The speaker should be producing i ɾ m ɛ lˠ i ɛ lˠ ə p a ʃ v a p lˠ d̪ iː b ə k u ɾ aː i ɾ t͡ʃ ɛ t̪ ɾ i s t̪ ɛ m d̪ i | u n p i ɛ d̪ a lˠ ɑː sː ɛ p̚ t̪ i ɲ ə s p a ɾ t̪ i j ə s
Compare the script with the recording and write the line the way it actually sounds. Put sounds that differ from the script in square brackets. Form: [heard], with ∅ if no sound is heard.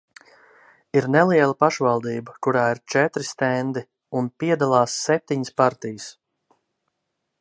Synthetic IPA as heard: i ɾ [n] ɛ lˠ i ɛ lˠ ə p a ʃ v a [∅] lˠ d̪ iː b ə k u ɾ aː i ɾ t͡ʃ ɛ t̪ ɾ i s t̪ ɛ [n] d̪ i | u n p i ɛ d̪ a lˠ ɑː sː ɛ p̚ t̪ i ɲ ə s p a ɾ t̪ i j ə s